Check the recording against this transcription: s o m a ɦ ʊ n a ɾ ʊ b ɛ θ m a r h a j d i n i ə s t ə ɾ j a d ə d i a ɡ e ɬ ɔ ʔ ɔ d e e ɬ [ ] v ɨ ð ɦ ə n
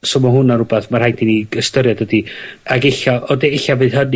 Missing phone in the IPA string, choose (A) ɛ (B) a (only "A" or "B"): B